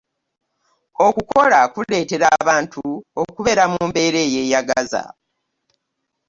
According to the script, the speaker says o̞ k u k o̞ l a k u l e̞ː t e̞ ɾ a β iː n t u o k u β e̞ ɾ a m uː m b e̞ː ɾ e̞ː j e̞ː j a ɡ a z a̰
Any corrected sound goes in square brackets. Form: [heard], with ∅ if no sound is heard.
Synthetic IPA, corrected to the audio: o̞ k u k o̞ l a k u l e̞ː t e̞ ɾ a β [aː] n t u o k u β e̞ ɾ a m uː m b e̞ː ɾ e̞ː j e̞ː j a ɡ a z a̰